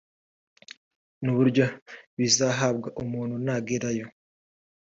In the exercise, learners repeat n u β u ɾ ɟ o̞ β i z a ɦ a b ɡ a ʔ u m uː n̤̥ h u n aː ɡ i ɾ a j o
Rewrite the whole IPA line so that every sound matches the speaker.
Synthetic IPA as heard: n u β u ɾ ɟ o̞ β i z a ɦ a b ɡ a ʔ u m uː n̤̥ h u n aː ɡ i ɾ a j o